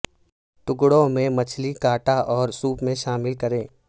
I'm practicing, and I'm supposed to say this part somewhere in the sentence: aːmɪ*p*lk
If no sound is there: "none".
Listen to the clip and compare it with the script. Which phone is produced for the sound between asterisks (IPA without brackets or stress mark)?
none